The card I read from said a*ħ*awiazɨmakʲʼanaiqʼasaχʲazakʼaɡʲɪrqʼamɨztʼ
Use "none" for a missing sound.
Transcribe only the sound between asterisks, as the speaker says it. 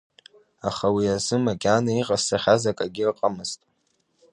χ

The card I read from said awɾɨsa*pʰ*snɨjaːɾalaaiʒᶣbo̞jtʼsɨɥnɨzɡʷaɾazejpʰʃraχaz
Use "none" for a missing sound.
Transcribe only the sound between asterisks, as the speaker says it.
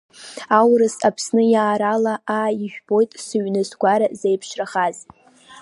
pʰ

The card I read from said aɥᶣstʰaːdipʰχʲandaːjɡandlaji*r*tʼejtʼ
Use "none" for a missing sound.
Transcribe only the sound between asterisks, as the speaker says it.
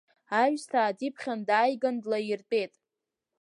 r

